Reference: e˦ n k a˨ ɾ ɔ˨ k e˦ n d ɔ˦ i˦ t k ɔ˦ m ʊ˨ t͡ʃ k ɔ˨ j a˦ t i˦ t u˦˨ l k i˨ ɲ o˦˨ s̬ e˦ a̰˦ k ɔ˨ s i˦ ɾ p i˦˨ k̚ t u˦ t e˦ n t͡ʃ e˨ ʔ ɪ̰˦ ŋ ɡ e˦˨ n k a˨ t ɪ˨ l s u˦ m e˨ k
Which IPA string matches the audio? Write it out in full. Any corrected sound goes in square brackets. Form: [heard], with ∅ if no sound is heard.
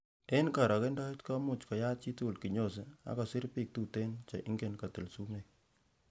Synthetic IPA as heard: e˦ n k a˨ ɾ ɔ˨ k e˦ n d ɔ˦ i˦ t k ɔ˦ m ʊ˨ t͡ʃ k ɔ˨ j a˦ [t͡ʃ] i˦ t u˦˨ l k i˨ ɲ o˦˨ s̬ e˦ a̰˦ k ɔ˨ s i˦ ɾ p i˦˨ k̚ t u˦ t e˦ n t͡ʃ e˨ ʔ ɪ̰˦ ŋ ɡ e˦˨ n k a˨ t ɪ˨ l s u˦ m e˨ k